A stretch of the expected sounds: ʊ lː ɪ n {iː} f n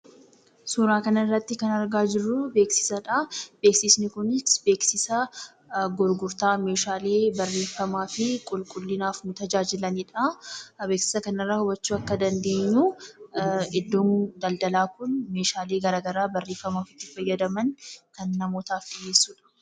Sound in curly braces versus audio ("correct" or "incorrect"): incorrect